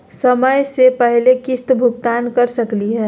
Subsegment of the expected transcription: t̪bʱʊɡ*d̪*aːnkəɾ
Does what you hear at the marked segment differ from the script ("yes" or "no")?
yes